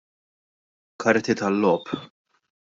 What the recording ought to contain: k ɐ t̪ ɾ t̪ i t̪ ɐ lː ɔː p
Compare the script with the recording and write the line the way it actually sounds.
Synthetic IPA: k ɐ ɾ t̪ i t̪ ɐ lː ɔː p

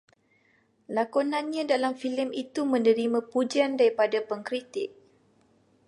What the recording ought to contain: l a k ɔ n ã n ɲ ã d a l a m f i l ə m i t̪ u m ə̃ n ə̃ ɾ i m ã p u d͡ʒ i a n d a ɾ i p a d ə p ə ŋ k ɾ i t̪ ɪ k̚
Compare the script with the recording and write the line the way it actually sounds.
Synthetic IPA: l a k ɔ n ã n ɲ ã d a l a m f i l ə m i t̪ u m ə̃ n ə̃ ɾ i m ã p u d͡ʒ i a n d a ɾ i p a d a p ə ŋ k ɾ i t̪ ɪ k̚

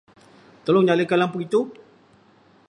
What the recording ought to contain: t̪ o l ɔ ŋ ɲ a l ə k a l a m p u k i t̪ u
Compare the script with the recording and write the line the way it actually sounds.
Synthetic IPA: t̪ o l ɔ ŋ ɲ a l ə k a l a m p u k i t̪ u

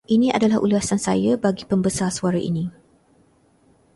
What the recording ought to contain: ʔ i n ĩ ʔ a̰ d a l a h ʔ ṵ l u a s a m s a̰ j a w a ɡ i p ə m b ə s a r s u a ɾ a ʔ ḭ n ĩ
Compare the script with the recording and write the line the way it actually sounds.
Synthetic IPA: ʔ i n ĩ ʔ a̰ d a l a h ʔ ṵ l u a s a n s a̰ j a b a ɡ i p ə m b ə s a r s u a ɾ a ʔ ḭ n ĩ

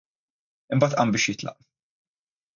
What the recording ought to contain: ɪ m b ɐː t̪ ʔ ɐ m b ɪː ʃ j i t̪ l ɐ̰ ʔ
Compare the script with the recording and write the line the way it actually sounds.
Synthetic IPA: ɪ m b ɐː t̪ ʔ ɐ m b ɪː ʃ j ɪ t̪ l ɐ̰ ʔ

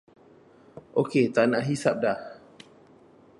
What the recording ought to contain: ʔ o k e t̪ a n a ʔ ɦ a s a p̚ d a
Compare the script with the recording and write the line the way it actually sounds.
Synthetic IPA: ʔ o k e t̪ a n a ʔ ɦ i s a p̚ d a

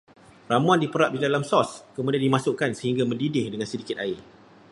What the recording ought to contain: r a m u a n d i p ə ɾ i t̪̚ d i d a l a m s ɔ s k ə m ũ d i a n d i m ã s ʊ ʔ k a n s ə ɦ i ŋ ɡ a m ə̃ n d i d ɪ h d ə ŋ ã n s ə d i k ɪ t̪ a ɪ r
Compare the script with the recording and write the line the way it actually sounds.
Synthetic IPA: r a m u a n d i p ə ɾ a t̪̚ d i d a l a m s ɔ s k ə m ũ d i a n d i m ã s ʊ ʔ k a n s ə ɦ i ŋ ɡ a m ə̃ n d i d ɪ h d ə ŋ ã n s ə d i k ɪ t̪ a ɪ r

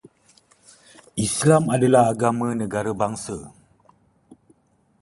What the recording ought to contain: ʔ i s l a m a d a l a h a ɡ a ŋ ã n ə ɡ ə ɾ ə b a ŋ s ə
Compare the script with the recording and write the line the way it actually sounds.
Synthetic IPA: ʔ i s l a m a d a l a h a ɡ a m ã n ə ɡ a ɾ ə b a ŋ s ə

